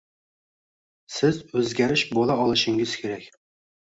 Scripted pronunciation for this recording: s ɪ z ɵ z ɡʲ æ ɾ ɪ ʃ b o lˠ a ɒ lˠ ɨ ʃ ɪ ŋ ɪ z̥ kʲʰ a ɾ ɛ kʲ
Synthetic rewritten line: s ɪ z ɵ z ɡʲ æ ɾ ɪ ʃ b o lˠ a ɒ lˠ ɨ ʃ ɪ ŋ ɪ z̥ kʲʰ e ɾ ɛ kʲ